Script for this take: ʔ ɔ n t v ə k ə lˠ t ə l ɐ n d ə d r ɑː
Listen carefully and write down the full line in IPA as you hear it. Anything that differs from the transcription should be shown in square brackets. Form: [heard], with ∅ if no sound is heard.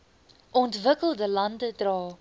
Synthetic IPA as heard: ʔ ɔ n t v ə k ə lˠ [d] ə l ɐ n d ə d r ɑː